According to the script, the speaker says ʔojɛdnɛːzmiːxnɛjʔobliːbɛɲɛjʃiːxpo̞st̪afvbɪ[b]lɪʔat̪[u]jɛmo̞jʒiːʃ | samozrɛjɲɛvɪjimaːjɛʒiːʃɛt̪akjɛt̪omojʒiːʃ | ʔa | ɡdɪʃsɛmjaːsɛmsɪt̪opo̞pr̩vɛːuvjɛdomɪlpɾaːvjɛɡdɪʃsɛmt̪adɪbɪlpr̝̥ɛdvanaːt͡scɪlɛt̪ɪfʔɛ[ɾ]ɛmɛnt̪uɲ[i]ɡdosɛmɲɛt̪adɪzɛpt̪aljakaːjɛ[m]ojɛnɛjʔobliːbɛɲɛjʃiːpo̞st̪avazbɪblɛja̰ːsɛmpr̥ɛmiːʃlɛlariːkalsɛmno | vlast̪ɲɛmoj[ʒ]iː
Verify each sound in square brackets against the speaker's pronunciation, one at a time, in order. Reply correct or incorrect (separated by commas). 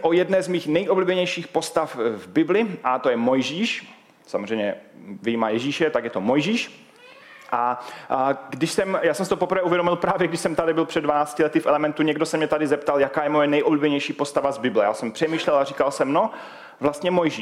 correct, incorrect, incorrect, incorrect, correct, correct